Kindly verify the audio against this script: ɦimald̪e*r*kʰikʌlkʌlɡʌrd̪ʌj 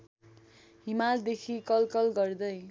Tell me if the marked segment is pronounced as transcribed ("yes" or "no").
no